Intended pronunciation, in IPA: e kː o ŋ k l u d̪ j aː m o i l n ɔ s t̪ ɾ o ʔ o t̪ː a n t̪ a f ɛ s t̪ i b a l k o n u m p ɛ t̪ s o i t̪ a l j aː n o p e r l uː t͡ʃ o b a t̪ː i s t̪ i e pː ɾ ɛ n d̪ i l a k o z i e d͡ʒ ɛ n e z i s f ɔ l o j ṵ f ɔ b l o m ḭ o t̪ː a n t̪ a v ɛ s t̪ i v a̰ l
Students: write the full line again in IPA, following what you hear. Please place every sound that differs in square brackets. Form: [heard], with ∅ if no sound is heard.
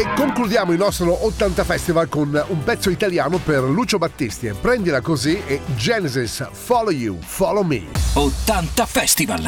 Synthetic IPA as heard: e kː o ŋ k l u d̪ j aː m o i l n ɔ s t̪ ɾ o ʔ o t̪ː a n t̪ a f ɛ s t̪ i [v] a l k o n u m p ɛ t̪ [sː] o i t̪ a l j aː n o p e r l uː t͡ʃ o b a t̪ː i s t̪ i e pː ɾ ɛ n d̪ i l a k o z i e d͡ʒ ɛ n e z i s f ɔ l o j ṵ f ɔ [∅] l o m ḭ o t̪ː a n t̪ a [f] ɛ s t̪ i v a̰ l